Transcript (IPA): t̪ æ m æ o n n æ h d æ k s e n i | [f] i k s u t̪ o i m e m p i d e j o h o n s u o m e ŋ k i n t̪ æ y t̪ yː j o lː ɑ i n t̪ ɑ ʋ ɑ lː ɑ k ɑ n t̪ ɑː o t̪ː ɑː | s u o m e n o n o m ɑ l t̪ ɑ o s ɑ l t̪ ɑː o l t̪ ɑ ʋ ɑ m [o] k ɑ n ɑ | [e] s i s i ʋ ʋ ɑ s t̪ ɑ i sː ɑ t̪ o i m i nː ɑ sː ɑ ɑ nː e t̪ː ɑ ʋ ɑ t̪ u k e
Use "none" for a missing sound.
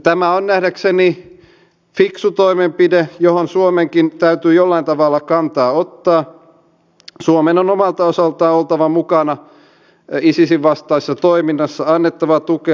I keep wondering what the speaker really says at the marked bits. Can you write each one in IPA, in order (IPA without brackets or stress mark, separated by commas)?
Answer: f, u, i